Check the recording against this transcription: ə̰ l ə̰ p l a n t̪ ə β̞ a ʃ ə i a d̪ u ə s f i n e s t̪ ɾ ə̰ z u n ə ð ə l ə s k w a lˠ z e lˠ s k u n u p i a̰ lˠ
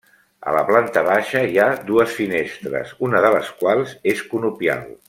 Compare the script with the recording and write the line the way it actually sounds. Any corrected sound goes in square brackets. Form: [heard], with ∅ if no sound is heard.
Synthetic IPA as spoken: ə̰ l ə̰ p l a n t̪ ə β̞ a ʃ ə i a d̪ u ə s f i n e s t̪ ɾ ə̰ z u n ə ð ə l ə s k w a lˠ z e [∅] s k u n u p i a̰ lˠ

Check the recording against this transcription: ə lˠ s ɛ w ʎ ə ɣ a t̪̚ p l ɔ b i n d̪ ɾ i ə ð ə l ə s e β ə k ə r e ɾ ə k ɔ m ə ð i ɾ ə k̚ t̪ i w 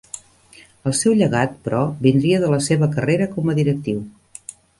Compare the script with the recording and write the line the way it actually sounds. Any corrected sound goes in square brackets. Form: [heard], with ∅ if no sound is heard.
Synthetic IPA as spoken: ə lˠ s ɛ w ʎ ə ɣ a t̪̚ p [ɾ] ɔ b i n d̪ ɾ i ə ð ə l ə s e β ə k ə r e ɾ ə k ɔ m ə ð i ɾ ə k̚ t̪ i w

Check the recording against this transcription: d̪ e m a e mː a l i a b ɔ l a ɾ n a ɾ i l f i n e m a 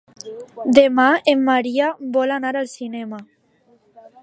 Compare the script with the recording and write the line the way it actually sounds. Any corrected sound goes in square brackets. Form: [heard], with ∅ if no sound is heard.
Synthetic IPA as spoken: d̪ e m a e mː a [ɾ] i a b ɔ l a [∅] n a ɾ [a] l [s] i n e m a

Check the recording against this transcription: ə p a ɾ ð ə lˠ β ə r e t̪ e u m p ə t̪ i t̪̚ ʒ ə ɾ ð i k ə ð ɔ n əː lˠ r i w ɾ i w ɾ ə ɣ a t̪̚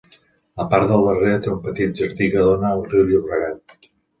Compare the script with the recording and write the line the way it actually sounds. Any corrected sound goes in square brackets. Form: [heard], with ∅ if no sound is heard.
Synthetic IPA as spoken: ə p a ɾ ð ə lˠ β ə r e t̪ e u m p ə t̪ i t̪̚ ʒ ə ɾ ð i k ə ð [o] n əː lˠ r i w [ʎ] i [β] ɾ ə ɣ a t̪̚

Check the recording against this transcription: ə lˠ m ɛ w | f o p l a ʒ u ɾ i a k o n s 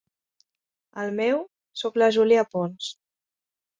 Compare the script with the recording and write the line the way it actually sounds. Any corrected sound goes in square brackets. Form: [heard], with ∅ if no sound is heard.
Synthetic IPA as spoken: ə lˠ m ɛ w | [s] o [k] l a ʒ u [l] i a [p] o n s

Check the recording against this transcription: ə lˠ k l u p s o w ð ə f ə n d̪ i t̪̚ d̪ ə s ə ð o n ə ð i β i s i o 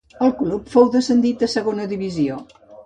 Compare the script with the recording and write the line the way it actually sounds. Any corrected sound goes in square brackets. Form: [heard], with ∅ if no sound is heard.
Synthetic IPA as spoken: ə lˠ k l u p [f] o w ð ə [s] ə n d̪ i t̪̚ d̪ ə s ə [ɣ] o n ə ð i β i [z] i o

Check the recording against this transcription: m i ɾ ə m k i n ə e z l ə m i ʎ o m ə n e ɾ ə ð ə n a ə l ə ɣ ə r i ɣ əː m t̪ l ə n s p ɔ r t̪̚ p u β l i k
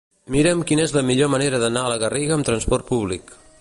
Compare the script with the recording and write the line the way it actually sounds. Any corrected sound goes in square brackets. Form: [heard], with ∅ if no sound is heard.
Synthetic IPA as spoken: m i ɾ ə m k i n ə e z l ə m i ʎ o m ə n e ɾ ə ð ə n a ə l ə ɣ ə r i ɣ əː m t̪ [ɾ] ə n s p ɔ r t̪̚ p u β l i k

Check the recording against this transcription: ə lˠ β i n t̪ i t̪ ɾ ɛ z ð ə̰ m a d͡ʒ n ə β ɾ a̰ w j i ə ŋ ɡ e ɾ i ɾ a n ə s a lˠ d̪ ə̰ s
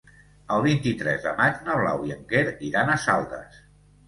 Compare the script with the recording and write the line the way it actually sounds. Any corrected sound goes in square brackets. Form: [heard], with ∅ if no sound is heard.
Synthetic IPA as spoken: ə lˠ β i n t̪ i t̪ ɾ ɛ z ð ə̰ m a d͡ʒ n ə β [l] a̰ w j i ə ŋ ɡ e ɾ i ɾ a n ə s a lˠ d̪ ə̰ s

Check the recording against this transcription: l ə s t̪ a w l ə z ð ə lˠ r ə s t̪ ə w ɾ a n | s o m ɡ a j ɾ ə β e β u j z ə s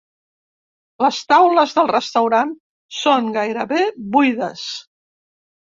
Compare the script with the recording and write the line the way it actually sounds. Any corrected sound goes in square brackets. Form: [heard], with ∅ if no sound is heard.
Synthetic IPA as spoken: l ə s t̪ a w l ə z ð ə lˠ r ə s t̪ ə w ɾ a n | s o [ŋ] ɡ a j ɾ ə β e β u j [ð] ə s

